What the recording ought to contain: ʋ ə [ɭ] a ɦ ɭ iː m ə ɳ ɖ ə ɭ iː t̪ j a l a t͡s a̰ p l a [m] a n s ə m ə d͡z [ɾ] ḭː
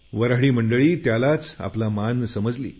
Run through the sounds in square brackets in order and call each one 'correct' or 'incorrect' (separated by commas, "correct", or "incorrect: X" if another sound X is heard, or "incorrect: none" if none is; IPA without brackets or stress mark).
incorrect: ɾ, correct, incorrect: l